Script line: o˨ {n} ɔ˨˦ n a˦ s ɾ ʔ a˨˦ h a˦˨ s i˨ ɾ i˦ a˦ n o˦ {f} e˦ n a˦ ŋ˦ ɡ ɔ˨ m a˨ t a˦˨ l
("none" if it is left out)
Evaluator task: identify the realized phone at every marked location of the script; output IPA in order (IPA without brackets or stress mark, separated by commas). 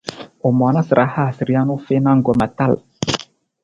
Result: m, f